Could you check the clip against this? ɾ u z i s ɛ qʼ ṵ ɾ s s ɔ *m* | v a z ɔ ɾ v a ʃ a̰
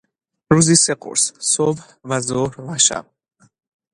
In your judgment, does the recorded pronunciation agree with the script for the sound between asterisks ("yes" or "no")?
no